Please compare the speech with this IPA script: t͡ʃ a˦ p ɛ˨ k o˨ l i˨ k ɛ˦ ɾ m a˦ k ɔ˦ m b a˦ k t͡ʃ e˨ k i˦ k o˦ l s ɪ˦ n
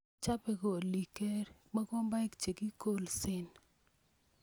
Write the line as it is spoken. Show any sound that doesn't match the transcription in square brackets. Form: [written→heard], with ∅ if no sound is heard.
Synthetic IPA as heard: t͡ʃ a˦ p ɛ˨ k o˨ l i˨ k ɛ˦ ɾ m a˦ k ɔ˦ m b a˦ k t͡ʃ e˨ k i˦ k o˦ l s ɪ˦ n